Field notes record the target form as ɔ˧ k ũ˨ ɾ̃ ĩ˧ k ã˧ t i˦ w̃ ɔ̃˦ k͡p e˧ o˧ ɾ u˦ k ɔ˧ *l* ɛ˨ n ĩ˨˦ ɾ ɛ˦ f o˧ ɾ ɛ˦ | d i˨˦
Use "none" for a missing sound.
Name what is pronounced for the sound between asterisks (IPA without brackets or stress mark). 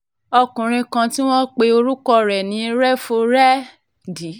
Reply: ɾ